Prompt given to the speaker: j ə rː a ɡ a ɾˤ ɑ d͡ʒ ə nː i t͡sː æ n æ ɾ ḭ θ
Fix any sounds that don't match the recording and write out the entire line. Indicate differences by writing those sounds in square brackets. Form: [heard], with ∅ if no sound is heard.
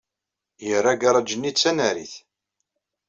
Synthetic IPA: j ə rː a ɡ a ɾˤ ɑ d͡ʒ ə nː i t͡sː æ n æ ɾ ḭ θ

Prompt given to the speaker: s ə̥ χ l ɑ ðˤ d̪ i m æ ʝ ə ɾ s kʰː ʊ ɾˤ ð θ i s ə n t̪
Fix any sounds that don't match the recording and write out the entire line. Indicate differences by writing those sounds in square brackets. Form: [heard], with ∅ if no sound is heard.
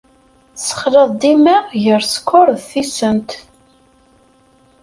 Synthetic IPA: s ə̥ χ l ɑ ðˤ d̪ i m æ ʝ ə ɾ s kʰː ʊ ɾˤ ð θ i s ə n t̪

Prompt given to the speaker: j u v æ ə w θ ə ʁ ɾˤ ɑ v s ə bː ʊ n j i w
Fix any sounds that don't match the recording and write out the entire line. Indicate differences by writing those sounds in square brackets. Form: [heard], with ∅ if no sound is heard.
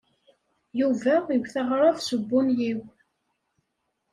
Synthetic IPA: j u v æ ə w θ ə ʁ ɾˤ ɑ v s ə bː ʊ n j i w

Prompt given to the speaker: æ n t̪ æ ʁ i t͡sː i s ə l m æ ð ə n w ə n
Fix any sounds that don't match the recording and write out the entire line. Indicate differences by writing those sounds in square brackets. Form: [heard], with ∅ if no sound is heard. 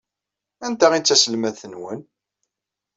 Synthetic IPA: æ n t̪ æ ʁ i t͡sː [æ] s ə l m æ [θ] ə n w ə n

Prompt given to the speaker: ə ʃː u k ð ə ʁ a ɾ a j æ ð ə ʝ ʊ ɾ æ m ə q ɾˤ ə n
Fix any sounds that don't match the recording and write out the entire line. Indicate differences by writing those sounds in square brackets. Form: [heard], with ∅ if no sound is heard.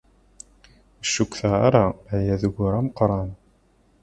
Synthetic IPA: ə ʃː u k [θ] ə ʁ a ɾ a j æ ð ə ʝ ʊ ɾ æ m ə q ɾˤ [ɑ] n

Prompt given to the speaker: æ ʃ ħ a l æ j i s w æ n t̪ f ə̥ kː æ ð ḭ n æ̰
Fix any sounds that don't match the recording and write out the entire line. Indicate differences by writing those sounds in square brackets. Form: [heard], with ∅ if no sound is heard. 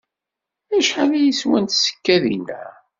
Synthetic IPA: æ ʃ ħ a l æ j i s w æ n t̪ [s] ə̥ kː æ ð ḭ n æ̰

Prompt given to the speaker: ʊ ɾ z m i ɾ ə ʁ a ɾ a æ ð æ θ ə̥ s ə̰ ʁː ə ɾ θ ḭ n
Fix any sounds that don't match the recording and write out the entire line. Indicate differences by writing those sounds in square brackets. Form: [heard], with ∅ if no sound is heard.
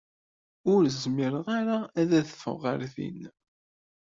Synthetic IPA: ʊ ɾ z m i ɾ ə ʁ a ɾ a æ ð æ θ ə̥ [f] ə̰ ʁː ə ɾ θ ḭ n

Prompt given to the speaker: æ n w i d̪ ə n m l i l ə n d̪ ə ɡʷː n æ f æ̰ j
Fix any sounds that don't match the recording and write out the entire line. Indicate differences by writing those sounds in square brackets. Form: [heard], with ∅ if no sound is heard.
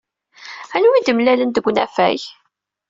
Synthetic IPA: æ n w i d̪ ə [∅] m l [æ] l ə n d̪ ə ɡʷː n æ f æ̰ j

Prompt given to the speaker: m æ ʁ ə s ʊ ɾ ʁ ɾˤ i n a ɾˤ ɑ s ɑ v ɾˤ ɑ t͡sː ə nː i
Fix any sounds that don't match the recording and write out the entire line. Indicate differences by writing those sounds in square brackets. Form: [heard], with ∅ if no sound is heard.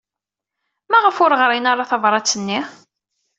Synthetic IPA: m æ ʁ ə [f] ʊ ɾ ʁ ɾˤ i n a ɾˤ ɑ [θ] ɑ v ɾˤ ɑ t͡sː ə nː i

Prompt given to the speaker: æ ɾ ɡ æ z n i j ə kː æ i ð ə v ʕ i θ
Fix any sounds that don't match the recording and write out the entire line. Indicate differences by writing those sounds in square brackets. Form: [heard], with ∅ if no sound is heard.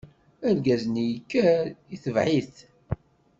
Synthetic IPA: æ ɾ ɡ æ z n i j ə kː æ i [θ] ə v ʕ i θ

